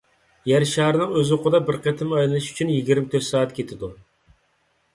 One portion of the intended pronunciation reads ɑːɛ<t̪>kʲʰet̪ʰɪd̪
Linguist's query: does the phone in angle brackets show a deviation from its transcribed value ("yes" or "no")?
no